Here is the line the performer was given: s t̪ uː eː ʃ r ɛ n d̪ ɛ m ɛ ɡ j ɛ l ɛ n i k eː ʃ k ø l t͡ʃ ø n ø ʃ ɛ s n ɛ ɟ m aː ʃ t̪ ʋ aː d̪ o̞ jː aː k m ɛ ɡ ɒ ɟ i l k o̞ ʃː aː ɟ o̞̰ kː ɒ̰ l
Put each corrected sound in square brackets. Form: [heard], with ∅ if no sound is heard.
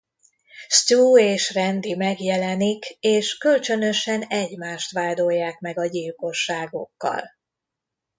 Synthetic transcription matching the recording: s t̪ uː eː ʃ r ɛ n d̪ [i] m ɛ ɡ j ɛ l ɛ n i k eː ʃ k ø l t͡ʃ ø n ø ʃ ɛ [∅] n ɛ ɟ m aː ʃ t̪ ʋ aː d̪ o̞ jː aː k m ɛ ɡ ɒ ɟ i l k o̞ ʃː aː [ɡ] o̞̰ kː ɒ̰ l